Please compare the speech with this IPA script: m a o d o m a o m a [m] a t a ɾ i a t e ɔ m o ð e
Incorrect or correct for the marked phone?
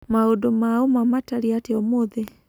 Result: correct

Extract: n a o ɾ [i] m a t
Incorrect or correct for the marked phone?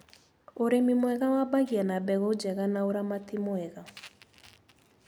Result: incorrect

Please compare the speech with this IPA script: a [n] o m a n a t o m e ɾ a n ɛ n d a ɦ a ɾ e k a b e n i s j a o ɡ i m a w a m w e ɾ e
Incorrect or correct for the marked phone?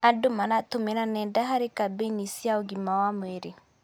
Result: incorrect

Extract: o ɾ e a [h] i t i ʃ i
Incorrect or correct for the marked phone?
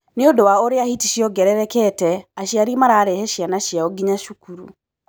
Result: correct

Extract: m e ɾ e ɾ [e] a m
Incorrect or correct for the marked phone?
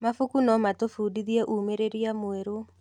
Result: incorrect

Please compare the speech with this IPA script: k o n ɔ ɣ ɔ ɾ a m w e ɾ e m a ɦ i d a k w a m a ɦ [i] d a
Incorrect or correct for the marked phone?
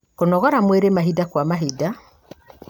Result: correct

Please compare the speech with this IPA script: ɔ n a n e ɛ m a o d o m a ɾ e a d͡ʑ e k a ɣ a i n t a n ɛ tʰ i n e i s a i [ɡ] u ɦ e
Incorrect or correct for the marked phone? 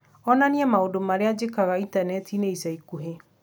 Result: incorrect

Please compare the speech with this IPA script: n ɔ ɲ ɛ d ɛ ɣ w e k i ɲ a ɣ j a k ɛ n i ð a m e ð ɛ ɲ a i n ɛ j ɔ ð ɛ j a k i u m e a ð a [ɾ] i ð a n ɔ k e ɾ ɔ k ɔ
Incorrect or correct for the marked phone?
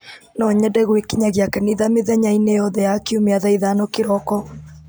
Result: incorrect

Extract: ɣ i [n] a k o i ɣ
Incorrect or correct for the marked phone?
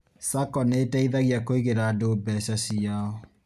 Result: incorrect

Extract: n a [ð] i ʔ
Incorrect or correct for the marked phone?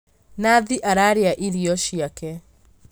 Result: correct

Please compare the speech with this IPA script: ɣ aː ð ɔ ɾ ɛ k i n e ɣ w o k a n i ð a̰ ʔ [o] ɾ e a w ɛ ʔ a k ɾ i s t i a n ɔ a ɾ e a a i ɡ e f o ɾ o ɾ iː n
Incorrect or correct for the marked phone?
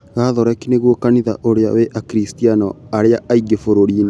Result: correct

